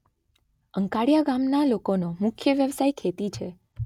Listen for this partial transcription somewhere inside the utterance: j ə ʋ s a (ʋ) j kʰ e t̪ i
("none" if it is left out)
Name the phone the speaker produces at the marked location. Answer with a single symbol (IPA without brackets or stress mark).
none